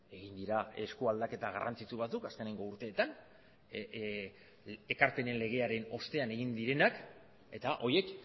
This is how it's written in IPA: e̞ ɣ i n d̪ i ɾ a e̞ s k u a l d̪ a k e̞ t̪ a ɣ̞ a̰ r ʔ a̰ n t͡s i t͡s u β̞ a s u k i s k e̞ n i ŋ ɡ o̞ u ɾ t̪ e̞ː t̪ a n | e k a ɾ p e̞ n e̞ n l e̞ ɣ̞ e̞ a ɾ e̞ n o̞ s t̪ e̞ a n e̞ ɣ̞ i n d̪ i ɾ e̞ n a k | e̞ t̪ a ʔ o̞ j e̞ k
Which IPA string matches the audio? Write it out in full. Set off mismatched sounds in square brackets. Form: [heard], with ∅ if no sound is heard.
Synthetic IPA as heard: e̞ ɣ i n d̪ i ɾ a e̞ s k u a l d̪ a k e̞ t̪ a ɣ̞ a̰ r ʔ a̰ n t͡s i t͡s u β̞ a [t͡s] u k [a] s k e̞ n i ŋ ɡ o̞ u ɾ t̪ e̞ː t̪ a n | e k a ɾ p e̞ n e̞ n l e̞ ɣ̞ e̞ a ɾ e̞ n o̞ s t̪ e̞ a n e̞ ɣ̞ i n d̪ i ɾ e̞ n a k | e̞ t̪ a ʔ o̞ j e̞ k

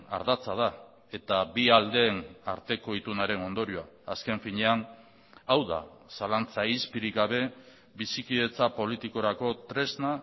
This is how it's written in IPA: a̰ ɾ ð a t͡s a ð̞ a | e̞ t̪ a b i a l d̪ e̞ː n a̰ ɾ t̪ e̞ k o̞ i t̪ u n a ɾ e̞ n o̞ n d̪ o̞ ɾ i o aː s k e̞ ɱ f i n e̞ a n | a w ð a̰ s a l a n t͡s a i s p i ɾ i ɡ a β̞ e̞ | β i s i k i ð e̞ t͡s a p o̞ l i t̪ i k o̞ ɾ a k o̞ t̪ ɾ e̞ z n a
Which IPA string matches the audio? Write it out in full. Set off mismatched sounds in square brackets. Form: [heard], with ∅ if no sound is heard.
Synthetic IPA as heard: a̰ ɾ ð a t͡s a ð̞ a | e̞ t̪ a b i a l d̪ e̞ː n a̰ ɾ t̪ e̞ k o̞ i t̪ u n a ɾ e̞ n o̞ n d̪ o̞ ɾ i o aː s k e̞ ɱ f i [ɲ] e̞ a n | a w ð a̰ s a l a n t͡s a i s p i ɾ i ɡ a β̞ e̞ | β i s i k i ð e̞ t͡s a p o̞ l i t̪ i k o̞ ɾ a k o̞ t̪ ɾ e̞ z n a

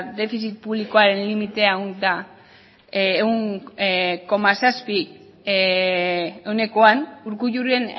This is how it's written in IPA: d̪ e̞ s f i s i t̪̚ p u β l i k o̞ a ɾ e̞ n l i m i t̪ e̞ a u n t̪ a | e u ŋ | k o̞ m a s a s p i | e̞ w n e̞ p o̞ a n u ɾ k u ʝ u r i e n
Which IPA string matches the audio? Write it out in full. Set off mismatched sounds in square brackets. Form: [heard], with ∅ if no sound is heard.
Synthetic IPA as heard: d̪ e̞ [∅] f i s i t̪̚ p u β l i k o̞ a ɾ e̞ n l i m i t̪ e̞ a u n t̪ a | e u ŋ | k o̞ m a s a s p i | e̞ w n e̞ [k] o̞ a n u ɾ k u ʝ u r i e n

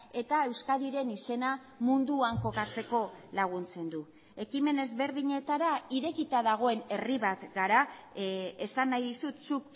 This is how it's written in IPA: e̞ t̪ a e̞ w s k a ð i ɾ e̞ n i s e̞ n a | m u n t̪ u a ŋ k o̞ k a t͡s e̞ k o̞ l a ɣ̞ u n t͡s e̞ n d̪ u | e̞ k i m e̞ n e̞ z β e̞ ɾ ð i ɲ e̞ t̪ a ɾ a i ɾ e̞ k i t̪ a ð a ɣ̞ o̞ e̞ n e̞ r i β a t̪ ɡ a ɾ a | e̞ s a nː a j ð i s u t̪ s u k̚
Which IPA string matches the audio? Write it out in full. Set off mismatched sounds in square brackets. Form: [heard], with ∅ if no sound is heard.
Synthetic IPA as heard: e̞ t̪ a e̞ w s k a ð i ɾ e̞ n i s e̞ n a | m u n [d̪] u a ŋ k o̞ k a t͡s e̞ k o̞ l a ɣ̞ u n t͡s e̞ n d̪ u | e̞ k i m e̞ n e̞ z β e̞ ɾ ð i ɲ e̞ t̪ a ɾ a i ɾ e̞ k i t̪ a ð a ɣ̞ o̞ e̞ n e̞ r i β a t̪ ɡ a ɾ a | e̞ s a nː a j ð i s u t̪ s u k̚

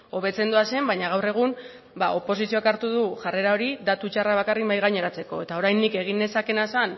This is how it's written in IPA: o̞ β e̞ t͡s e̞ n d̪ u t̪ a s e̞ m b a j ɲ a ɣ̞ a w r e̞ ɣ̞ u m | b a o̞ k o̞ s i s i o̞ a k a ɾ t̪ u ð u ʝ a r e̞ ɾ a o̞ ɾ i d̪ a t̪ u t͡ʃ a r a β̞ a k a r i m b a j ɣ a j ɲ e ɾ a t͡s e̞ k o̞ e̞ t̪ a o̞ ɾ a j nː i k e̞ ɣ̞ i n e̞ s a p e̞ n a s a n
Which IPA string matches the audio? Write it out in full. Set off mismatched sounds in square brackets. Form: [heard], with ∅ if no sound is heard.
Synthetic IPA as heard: o̞ β e̞ t͡s e̞ n d̪ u [∅] a s e̞ m b a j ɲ a ɣ̞ a w r e̞ ɣ̞ u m | b a o̞ [p] o̞ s i s i o̞ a k a ɾ t̪ u ð u ʝ a r e̞ ɾ a o̞ ɾ i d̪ a t̪ u t͡ʃ a r a β̞ a k a r i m b a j ɣ a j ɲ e ɾ a t͡s e̞ k o̞ e̞ t̪ a o̞ ɾ a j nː i k e̞ ɣ̞ i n e̞ s a [k] e̞ n a s a n

